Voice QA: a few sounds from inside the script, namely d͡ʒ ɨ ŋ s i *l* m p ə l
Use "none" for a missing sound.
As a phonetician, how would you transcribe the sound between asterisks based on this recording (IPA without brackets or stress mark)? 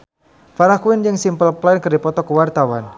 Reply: none